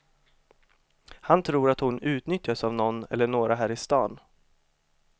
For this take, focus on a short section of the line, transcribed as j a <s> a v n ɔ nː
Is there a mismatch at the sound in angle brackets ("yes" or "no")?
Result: no